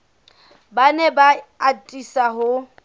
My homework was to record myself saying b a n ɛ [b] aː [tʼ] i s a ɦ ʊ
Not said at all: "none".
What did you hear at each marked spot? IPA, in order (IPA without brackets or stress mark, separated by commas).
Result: b, tʼ